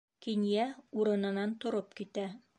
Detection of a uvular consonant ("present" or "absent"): absent